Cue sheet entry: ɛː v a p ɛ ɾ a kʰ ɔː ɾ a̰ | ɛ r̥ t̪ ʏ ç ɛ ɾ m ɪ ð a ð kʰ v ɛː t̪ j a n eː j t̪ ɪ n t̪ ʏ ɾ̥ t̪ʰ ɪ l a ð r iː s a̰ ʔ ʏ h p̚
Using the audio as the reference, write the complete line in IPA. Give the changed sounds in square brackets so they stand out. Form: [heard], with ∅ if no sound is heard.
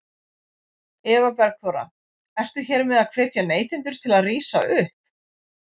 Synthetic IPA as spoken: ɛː v a p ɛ ɾ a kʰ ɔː ɾ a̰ | ɛ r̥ t̪ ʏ ç ɛ ɾ m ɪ ð a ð kʰ v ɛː t̪ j a n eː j t̪ ɪ n t̪ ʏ ɾ̥ t̪ʰ ɪ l a ð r iː s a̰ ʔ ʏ h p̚